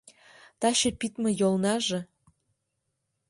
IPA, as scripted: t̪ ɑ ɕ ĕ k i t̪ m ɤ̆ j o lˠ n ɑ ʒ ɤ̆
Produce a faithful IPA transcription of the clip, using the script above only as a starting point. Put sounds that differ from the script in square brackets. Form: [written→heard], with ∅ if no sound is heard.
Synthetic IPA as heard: t̪ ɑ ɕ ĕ [k→p] i t̪ m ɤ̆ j o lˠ n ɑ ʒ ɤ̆